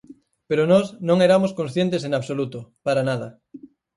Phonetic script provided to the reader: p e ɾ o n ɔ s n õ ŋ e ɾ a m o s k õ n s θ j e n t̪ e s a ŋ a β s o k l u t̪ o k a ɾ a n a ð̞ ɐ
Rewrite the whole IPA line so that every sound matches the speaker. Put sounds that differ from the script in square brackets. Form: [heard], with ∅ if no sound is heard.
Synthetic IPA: p e ɾ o n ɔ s n õ ŋ e ɾ a m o s k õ n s θ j e n t̪ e s [e] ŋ a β s o [∅] l u t̪ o [p] a ɾ a n a ð̞ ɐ

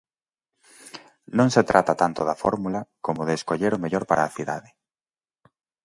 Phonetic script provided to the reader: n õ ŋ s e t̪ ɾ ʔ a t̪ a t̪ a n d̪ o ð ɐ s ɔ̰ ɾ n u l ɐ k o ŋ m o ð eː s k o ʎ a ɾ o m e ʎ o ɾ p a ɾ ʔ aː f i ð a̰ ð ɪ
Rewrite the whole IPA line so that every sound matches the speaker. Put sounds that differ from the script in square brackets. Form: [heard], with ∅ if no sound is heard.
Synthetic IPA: n õ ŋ s e t̪ ɾ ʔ a t̪ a t̪ a n [t̪] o ð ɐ [f] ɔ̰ ɾ [m] u l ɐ k o [∅] m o ð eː s k o ʎ [e] ɾ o m e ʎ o ɾ p a ɾ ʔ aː [θ] i ð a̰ ð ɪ

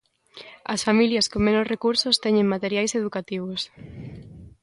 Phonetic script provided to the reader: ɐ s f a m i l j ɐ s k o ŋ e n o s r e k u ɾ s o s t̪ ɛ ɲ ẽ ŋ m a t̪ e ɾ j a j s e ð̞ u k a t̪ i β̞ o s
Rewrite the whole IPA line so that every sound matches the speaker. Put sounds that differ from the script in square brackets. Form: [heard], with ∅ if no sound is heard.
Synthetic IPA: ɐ s f a m i l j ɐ s k o [m] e n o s r e k u ɾ s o s t̪ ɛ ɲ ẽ ŋ m a t̪ e ɾ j a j s e ð̞ u k a t̪ i β̞ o s

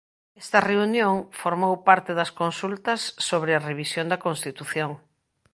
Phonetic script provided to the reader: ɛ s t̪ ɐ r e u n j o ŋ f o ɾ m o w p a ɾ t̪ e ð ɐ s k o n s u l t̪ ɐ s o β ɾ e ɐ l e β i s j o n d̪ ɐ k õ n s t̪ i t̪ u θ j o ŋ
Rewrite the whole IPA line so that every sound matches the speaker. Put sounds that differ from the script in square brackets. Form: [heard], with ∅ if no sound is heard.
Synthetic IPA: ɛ s t̪ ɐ r e u n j o ŋ f o ɾ m o w p a ɾ t̪ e ð ɐ s k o n s u l t̪ ɐ [sː] o β ɾ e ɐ [r] e β i s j o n d̪ ɐ k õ n s t̪ i t̪ u θ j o ŋ

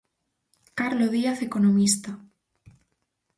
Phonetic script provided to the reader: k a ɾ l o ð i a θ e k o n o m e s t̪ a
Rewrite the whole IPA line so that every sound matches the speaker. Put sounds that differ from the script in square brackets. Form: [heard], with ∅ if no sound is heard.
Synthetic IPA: k a ɾ l o ð i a θ e k o n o m [i] s t̪ a

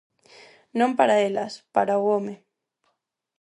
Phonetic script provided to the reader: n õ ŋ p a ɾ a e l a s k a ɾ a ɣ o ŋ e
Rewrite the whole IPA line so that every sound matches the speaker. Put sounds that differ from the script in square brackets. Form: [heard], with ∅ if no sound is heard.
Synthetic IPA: n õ [m] p a ɾ a e l a s [p] a ɾ a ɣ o [m] e

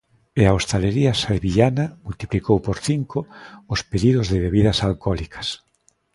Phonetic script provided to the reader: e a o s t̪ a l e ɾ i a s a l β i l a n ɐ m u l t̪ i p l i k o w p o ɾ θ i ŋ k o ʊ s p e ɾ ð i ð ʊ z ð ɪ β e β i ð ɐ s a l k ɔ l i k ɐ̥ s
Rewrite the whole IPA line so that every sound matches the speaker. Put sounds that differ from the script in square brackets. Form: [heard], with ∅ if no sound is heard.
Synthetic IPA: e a o s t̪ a l e ɾ i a s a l β i [ʎ] a n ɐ m u l t̪ i p l i k o w p o ɾ θ i ŋ k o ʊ s p e [∅] ð i ð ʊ z ð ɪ β e β i ð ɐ s a l k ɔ l i k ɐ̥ s

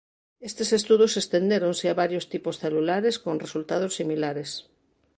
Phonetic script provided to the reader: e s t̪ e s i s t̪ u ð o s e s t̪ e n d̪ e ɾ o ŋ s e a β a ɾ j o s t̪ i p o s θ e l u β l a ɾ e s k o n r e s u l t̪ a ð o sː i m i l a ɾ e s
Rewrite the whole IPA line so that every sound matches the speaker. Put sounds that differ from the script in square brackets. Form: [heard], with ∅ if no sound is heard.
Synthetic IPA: e s t̪ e s [e] s t̪ u ð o s e s t̪ e n d̪ e ɾ o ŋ s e a β a ɾ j o s t̪ i p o s θ e l u [∅] l a ɾ e s k o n r e s u l t̪ a ð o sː i m i l a ɾ e s

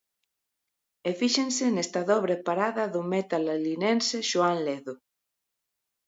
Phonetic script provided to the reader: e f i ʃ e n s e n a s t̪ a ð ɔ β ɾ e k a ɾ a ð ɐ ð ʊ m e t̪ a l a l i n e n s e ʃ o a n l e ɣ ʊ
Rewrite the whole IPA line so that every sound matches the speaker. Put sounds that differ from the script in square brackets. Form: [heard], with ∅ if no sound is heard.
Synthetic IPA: e f i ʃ e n s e n [e] s t̪ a ð ɔ β ɾ e [p] a ɾ a ð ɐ ð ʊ m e t̪ a l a l i n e n s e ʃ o a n l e [ð] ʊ

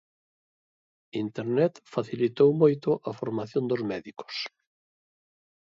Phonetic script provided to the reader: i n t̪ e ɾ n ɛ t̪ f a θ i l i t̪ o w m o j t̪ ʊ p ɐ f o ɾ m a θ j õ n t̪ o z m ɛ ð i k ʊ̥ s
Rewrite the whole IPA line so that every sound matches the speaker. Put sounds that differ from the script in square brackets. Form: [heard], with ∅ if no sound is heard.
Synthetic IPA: i n t̪ e ɾ n ɛ t̪ f a θ i l i t̪ o w m o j t̪ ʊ [ʔ] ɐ f o ɾ m a θ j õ n [d̪] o z m ɛ ð i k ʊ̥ s

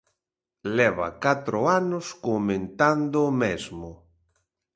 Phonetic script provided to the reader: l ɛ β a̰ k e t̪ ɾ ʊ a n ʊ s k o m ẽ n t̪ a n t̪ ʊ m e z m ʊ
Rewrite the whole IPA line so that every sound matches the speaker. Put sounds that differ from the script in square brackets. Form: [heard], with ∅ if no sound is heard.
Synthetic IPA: l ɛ β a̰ k [a] t̪ ɾ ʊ a n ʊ s k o m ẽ n t̪ a n [d̪] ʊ m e z m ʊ

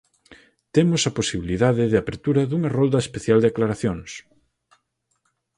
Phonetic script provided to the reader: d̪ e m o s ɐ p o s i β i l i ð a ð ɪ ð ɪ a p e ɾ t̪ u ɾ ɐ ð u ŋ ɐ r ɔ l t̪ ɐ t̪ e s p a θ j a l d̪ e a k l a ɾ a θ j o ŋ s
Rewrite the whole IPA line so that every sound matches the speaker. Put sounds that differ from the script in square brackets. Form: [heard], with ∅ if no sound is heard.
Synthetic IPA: [t̪] e m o s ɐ p o s i β i l i ð a ð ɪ ð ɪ a p e ɾ t̪ u ɾ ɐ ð u ŋ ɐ r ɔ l [d̪] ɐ [∅] e s p [e] θ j a l d̪ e a k l a ɾ a θ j o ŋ s

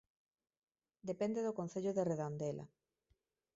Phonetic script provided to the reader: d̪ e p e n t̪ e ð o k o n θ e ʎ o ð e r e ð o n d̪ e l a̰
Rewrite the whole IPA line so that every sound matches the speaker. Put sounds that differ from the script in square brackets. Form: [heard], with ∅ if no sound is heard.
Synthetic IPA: d̪ e p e n [d̪] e ð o k o n θ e ʎ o ð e r e ð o n d̪ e l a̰

